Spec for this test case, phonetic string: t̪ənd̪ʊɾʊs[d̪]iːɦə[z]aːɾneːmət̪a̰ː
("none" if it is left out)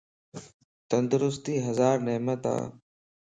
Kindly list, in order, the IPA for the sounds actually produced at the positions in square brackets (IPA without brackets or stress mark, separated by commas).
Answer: t̪, z